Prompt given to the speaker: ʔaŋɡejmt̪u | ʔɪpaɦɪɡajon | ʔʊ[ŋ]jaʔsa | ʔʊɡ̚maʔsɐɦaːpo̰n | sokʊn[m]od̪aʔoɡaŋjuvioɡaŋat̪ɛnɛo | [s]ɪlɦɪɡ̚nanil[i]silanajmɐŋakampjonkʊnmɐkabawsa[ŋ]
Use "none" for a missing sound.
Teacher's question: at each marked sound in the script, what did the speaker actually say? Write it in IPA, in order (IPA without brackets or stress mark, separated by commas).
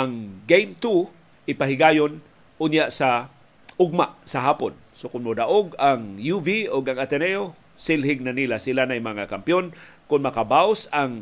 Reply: n, m, s, a, ŋ